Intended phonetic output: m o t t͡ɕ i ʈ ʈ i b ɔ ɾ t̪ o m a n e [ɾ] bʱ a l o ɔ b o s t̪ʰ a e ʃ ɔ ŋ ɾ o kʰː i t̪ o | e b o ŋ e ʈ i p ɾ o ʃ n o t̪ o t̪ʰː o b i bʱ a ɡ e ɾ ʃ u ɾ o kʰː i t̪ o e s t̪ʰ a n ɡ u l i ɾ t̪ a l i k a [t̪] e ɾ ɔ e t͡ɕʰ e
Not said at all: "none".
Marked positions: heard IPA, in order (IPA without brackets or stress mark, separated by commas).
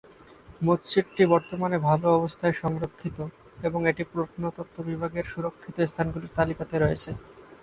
none, t̪